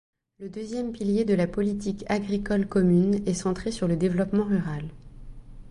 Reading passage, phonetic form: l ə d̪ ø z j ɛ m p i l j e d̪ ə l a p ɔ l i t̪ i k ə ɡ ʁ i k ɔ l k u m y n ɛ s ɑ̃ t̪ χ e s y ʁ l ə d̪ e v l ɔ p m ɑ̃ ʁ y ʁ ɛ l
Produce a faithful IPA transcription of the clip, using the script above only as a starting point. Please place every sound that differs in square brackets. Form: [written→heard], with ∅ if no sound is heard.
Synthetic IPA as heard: l ə d̪ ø z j ɛ m p i l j e d̪ ə l a p ɔ l i t̪ i k [ə→a] ɡ ʁ i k ɔ l k [u→ɔ] m y n ɛ s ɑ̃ t̪ χ e s y ʁ l ə d̪ e v l ɔ p m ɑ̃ ʁ y ʁ [ɛ→a] l